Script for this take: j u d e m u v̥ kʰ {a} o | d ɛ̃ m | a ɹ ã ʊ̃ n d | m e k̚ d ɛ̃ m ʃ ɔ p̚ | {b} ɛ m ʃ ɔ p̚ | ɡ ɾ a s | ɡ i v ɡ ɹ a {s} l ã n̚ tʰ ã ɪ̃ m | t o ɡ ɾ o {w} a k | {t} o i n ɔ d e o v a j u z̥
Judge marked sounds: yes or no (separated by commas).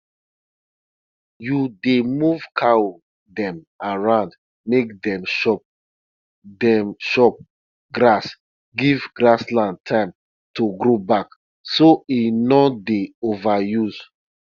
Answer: yes, no, yes, no, no